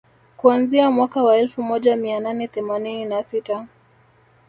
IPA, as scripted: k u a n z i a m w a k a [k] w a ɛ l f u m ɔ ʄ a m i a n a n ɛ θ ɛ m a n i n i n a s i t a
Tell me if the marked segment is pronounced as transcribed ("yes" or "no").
no